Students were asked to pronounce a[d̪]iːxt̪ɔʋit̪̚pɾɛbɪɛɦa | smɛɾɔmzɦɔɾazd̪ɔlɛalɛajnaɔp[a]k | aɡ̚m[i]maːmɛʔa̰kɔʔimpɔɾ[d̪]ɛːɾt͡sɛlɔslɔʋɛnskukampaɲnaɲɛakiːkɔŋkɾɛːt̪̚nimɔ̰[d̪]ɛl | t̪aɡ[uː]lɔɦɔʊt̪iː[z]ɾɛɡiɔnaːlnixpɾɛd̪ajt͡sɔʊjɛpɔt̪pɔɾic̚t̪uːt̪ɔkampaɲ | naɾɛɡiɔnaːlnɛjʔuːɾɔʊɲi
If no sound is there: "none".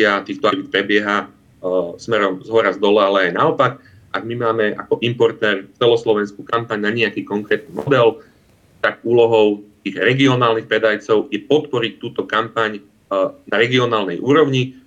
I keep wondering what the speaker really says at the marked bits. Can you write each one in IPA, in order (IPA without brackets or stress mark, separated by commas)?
t̪, a, i, t̪, d̪, uː, ɣ